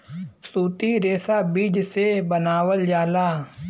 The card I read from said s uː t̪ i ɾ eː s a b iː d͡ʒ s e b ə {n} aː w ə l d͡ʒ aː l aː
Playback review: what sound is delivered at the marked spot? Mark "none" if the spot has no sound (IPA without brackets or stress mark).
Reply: n